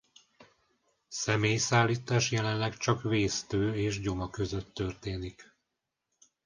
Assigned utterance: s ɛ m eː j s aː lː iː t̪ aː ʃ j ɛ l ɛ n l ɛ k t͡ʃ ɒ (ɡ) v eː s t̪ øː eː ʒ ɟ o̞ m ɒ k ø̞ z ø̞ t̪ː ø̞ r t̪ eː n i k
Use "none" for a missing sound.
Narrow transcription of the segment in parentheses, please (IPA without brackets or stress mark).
k